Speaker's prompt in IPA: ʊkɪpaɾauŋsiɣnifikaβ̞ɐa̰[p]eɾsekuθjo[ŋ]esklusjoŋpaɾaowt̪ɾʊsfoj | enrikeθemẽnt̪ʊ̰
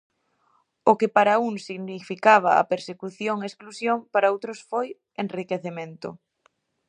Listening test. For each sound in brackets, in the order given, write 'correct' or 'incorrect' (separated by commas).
correct, correct